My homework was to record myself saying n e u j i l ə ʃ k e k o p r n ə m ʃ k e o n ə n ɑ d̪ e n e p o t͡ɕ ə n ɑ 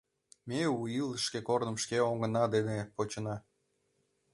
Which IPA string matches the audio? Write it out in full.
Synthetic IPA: m e u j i l ə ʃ k e k o r n ə m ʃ k e o ŋ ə n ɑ d̪ e n e p o t͡ɕ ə n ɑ